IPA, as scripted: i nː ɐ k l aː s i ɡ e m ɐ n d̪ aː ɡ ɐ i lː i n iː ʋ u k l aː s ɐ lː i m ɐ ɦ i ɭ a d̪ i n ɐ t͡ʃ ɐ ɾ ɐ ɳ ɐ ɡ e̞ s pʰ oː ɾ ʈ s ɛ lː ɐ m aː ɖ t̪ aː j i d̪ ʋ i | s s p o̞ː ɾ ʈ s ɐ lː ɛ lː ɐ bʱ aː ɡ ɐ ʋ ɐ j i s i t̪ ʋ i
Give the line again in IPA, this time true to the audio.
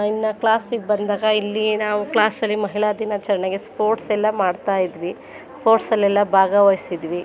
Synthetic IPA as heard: i nː ɐ k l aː s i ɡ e b ɐ n d̪ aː ɡ ɐ i lː i n aː ʋ u k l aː s ɐ lː i m ɐ ɦ i ɭ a d̪ i n ɐ t͡ʃ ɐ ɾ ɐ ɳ ɐ ɡ e̞ s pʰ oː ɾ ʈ s ɛ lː ɐ m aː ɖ t̪ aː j i d̪ ʋ i | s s p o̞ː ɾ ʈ s ɐ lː ɛ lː ɐ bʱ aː ɡ ɐ ʋ ɐ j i s i d̪ ʋ i